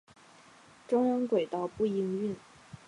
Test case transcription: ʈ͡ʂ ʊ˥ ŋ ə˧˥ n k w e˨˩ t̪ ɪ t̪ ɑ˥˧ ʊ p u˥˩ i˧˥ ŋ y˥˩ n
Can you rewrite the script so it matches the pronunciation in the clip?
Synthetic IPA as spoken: ʈ͡ʂ ʊ˥ ŋ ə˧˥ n k w e˨˩ ɪ t̪ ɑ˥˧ ʊ p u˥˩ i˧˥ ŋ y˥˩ n